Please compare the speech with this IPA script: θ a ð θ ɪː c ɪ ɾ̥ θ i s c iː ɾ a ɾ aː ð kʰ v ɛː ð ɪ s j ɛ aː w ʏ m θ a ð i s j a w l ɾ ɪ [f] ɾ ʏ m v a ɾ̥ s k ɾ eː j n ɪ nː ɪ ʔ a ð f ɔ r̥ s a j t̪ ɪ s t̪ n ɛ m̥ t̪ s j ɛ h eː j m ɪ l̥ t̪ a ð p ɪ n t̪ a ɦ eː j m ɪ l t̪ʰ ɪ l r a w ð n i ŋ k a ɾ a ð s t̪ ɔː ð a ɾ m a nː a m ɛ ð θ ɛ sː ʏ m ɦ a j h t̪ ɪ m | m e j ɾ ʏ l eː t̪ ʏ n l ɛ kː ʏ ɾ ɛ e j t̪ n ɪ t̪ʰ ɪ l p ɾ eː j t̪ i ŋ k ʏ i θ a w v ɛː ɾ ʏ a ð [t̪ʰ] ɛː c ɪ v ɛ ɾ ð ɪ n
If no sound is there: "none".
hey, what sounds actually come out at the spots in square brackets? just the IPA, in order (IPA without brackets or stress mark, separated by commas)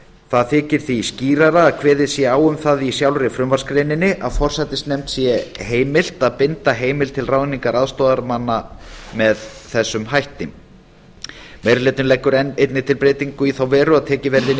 f, t̪ʰ